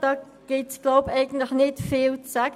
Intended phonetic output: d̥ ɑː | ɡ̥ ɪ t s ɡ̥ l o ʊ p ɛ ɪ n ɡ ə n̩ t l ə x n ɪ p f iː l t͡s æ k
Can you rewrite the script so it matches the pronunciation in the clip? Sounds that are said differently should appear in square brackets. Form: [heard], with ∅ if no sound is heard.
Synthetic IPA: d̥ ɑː | ɡ̥ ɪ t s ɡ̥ l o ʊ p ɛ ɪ [∅] ɡ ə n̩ t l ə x n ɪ [t] f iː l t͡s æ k